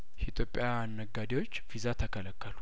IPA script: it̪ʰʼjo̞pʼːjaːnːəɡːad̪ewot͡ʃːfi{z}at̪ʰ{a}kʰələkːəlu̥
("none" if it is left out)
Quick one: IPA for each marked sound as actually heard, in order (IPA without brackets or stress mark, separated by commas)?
z, ə